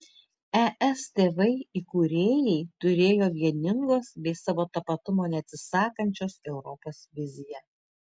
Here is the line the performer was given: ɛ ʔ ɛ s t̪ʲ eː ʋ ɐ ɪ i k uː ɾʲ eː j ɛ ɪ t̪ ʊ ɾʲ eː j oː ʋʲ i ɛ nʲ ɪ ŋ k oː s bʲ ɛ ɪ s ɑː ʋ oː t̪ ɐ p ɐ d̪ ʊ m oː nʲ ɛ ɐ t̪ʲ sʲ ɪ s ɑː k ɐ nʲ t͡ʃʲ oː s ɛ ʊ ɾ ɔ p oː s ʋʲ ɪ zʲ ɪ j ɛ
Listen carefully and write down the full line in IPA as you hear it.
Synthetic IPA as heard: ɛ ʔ ɛ s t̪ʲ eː ʋ ɐ ɪ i k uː ɾʲ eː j ɛ ɪ t̪ ʊ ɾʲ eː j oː ʋʲ i ɛ nʲ ɪ ŋ ɡ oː s bʲ ɛ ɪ s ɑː ʋ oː t̪ ɐ p ɐ t̪ ʊ m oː nʲ ɛ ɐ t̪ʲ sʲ ɪ s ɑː k ɐ nʲ t͡ʃʲ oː s ɛ ʊ ɾ ɔ p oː s ʋʲ ɪ zʲ ɪ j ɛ